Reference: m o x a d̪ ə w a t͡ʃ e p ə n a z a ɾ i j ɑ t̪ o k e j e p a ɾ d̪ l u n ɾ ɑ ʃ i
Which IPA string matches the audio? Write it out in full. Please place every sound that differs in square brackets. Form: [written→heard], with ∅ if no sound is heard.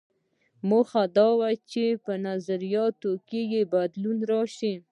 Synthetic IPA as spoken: m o x a d̪ [ə→ɑ] w a t͡ʃ e p ə n a z a ɾ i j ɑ t̪ o k e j e [p→b] a [ɾ→∅] d̪ l u n ɾ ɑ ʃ i